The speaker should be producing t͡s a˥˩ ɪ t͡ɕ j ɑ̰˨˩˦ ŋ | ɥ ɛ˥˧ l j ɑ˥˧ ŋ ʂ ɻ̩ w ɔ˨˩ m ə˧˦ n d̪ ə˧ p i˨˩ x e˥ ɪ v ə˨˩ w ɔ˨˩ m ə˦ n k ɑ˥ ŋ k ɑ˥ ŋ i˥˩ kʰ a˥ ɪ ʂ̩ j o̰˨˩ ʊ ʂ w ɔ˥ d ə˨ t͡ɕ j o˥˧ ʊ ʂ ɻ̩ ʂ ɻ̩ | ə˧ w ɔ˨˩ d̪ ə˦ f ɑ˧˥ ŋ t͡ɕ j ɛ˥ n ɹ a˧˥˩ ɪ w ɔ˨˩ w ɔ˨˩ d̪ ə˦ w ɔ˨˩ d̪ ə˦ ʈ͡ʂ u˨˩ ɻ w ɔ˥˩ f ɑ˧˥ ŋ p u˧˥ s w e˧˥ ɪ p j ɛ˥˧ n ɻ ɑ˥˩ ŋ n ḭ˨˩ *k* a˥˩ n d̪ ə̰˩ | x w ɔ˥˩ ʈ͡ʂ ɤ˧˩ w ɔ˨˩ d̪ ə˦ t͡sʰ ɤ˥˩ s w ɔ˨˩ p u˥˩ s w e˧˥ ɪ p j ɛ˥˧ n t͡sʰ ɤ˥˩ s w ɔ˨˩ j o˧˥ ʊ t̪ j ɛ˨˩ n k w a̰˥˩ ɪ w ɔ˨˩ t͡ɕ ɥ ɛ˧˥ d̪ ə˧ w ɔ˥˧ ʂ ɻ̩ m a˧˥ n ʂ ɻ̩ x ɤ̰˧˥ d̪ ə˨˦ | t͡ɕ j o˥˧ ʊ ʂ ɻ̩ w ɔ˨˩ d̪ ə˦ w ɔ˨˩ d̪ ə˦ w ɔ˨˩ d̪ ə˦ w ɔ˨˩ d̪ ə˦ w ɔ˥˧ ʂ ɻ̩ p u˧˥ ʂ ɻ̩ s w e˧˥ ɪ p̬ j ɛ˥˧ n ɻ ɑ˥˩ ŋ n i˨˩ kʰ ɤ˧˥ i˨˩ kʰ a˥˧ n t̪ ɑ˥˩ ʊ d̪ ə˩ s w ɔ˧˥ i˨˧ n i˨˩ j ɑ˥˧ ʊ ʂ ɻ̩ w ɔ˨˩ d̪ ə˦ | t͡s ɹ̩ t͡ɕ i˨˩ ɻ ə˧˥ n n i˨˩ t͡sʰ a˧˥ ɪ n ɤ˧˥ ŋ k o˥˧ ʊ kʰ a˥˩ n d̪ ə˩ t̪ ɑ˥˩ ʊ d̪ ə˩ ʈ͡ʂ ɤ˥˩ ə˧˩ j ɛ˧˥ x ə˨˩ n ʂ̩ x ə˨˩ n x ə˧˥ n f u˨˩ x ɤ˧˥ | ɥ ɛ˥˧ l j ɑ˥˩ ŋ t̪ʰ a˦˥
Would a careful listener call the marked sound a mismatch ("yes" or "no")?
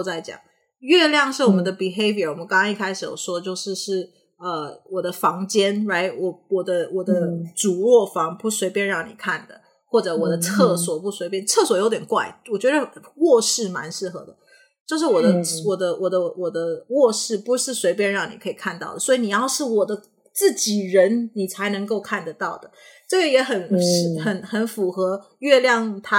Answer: yes